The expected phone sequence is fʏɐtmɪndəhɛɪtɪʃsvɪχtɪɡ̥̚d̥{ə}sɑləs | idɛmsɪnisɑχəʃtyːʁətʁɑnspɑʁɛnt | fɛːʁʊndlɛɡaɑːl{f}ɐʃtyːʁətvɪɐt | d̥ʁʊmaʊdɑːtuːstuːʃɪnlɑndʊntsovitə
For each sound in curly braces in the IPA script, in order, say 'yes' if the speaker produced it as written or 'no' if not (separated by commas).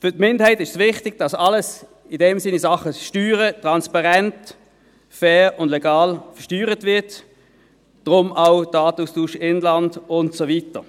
no, yes